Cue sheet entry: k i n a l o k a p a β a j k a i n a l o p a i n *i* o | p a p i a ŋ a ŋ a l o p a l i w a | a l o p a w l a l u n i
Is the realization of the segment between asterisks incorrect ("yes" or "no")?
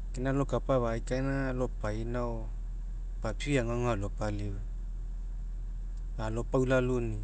yes